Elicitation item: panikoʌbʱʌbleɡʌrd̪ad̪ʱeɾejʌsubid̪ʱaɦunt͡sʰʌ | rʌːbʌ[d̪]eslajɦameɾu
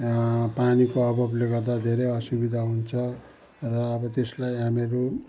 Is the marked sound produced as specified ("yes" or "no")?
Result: no